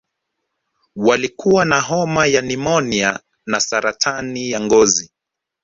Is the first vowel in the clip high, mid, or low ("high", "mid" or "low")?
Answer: low